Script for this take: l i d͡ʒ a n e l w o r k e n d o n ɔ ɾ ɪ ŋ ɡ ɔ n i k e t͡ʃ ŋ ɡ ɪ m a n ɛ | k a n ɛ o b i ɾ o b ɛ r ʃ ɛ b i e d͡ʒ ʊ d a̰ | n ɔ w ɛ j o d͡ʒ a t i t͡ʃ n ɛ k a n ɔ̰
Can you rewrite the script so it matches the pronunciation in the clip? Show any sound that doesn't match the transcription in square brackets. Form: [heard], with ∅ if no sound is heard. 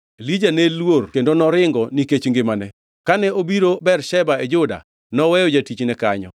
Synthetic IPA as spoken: l i d͡ʒ a n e l w o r k e n d o n ɔ ɾ ɪ ŋ ɡ ɔ n i k e t͡ʃ ŋ ɡ ɪ m a n ɛ | k a n ɛ o b i ɾ o b ɛ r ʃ ɛ b [a] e d͡ʒ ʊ d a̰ | n ɔ w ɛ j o d͡ʒ a t i t͡ʃ n ɛ k a [ɲ] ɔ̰